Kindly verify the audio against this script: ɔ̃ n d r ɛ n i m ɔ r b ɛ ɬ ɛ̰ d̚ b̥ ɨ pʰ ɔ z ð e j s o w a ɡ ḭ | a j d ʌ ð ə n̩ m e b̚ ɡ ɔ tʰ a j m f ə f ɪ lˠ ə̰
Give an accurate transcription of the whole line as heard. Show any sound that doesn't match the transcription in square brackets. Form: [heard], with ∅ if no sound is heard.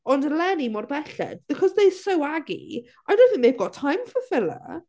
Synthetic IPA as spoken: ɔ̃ n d [l] ɛ n i m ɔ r b ɛ ɬ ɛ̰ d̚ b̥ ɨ [kʰ] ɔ z ð e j s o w a ɡ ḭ | a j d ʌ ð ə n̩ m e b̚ ɡ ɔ tʰ a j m f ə f ɪ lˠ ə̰